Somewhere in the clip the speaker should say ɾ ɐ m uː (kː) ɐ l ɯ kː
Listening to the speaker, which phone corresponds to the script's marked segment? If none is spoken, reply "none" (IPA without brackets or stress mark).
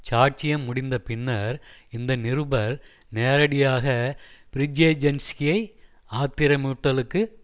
ʈː